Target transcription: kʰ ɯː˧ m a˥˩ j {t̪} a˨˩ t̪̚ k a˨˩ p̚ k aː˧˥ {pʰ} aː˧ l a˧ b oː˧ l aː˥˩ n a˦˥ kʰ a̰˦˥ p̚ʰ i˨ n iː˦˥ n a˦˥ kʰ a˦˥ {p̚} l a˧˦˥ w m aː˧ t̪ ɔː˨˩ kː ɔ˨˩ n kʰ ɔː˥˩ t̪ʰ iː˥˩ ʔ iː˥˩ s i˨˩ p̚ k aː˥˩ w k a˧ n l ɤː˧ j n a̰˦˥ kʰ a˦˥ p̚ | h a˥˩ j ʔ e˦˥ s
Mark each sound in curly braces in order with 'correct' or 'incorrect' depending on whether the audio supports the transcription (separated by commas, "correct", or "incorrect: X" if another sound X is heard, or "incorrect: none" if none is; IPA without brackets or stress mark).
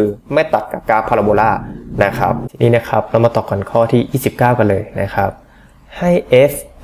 correct, correct, correct